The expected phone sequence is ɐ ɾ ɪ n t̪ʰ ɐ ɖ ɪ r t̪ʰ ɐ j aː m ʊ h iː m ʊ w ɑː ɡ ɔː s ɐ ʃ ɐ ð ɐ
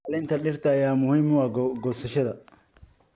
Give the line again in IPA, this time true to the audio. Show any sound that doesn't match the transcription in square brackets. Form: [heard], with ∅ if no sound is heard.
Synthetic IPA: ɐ [l] ɪ n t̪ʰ ɐ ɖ ɪ r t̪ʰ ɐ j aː m ʊ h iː m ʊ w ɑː ɡ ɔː s ɐ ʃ ɐ ð ɐ